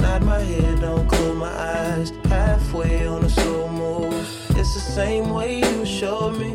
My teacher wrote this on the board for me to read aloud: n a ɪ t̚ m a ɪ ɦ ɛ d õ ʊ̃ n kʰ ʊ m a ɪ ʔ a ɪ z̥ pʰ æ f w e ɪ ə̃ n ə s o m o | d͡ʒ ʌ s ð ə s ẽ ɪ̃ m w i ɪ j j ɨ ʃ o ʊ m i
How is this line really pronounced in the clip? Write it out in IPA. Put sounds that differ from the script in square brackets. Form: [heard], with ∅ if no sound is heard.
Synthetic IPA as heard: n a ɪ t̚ m a ɪ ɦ ɛ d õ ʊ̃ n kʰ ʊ m a ɪ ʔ a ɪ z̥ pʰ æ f w e ɪ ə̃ n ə s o m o | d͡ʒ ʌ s ð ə s ẽ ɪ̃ m w [e] ɪ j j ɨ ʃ o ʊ m i